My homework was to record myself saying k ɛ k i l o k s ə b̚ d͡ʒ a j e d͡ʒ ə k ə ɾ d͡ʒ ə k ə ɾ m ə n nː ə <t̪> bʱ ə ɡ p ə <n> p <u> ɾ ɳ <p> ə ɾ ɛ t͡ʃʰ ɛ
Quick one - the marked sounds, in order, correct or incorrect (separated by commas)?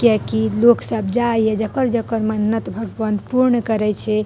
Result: correct, correct, correct, incorrect